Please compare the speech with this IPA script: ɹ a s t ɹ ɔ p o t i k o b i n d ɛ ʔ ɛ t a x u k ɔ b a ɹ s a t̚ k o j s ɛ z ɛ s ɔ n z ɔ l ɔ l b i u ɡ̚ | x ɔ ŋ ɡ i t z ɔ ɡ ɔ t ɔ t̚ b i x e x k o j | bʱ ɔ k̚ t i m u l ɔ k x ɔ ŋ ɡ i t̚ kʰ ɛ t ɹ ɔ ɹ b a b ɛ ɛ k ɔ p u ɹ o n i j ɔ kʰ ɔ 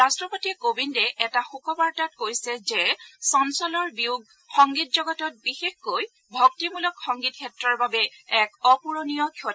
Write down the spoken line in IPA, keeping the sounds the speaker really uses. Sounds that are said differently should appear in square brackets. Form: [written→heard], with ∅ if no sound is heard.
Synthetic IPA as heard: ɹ a s t ɹ ɔ p o t i k o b i n d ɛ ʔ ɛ t a x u k ɔ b a ɹ [s→t] a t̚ k o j s ɛ z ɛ s ɔ n [z→s] ɔ l ɔ [l→ɹ] b i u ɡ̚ | x ɔ ŋ ɡ i t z ɔ ɡ ɔ t ɔ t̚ b i x e x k o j | bʱ ɔ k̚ t i m u l ɔ k x ɔ ŋ ɡ i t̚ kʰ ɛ t ɹ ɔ ɹ b a b ɛ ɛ k ɔ p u ɹ o n i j ɔ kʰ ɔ